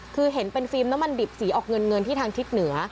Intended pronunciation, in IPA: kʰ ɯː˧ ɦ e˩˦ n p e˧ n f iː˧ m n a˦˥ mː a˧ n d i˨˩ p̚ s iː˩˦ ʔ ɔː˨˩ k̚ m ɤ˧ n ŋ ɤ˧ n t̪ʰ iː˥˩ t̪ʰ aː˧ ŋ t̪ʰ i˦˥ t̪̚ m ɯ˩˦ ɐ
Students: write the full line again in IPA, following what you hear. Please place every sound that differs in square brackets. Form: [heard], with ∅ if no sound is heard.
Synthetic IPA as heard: kʰ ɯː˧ ɦ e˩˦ n p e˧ n f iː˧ m n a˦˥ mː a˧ n d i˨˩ p̚ s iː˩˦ ʔ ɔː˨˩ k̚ [ŋ] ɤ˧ n ŋ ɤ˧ n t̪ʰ iː˥˩ t̪ʰ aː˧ ŋ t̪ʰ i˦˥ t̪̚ [n] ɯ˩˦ ɐ